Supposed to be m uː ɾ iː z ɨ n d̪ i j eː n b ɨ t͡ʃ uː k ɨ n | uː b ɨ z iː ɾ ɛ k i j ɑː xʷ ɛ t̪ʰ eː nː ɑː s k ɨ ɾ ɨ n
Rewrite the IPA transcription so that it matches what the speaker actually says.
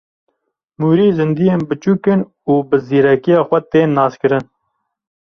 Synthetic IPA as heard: m uː ɾ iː z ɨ n d̪ i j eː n b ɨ t͡ʃ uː k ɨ n | uː b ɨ z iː ɾ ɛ k i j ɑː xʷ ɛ t̪ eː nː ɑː s k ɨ ɾ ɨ n